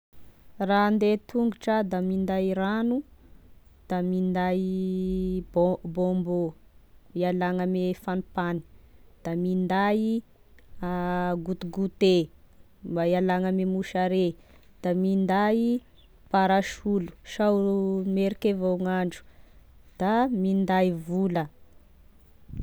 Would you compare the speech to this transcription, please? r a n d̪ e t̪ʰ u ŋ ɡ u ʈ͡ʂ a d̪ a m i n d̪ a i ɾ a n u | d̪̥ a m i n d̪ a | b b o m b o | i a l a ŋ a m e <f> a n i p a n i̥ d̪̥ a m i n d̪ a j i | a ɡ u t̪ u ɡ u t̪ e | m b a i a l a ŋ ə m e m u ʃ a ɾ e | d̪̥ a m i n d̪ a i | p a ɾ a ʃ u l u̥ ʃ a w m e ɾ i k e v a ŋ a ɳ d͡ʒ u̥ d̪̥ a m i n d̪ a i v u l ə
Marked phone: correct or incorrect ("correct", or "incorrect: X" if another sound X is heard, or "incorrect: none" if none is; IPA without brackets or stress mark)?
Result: correct